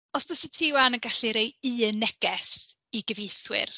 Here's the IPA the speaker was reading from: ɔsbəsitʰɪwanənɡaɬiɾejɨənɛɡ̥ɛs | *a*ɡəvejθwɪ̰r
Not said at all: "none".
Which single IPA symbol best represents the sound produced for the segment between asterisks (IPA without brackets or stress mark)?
i